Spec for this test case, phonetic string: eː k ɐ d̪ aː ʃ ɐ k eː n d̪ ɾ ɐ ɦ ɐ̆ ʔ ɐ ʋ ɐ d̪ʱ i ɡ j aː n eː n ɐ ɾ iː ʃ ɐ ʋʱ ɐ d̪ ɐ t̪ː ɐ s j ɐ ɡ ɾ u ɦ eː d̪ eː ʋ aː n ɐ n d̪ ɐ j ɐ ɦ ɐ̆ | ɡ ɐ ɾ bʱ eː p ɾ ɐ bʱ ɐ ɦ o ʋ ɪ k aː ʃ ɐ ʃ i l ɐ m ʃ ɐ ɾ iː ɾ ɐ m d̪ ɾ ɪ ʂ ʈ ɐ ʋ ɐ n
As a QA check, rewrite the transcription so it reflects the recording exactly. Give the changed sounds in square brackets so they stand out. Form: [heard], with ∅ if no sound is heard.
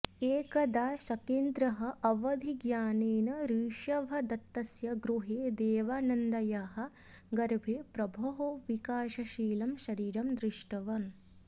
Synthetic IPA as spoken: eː k ɐ d̪ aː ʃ ɐ k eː n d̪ ɾ ɐ ɦ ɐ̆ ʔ ɐ ʋ ɐ d̪ʱ i ɡ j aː n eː n ɐ ɾ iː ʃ ɐ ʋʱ ɐ d̪ ɐ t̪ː ɐ s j ɐ ɡ ɾ u ɦ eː d̪ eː ʋ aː n ɐ n d̪ ɐ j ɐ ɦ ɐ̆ | ɡ ɐ ɾ bʱ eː p ɾ ɐ bʱ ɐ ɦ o ʋ [i] k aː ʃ ɐ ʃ [iː] l ɐ m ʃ ɐ ɾ iː ɾ ɐ m d̪ ɾ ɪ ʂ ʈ ɐ ʋ ɐ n